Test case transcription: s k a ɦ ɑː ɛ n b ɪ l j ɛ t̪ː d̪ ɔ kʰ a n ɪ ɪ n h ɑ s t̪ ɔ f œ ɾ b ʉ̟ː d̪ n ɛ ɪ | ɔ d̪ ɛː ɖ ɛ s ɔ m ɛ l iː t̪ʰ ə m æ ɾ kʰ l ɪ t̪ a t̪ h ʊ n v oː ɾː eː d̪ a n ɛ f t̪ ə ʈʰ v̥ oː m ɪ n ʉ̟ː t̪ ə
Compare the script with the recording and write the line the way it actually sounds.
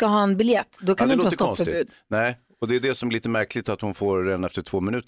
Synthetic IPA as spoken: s k a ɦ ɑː ɛ n b ɪ l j ɛ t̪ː d̪ ɔ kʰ a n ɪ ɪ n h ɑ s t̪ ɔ f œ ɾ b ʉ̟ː d̪ n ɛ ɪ | ɔ d̪ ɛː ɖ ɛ s ɔ m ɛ l iː t̪ ə m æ ɾ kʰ l ɪ t̪ a t̪ h ʊ n f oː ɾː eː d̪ a n ɛ f t̪ ə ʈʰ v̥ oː m ɪ n ʉ̟ː t̪ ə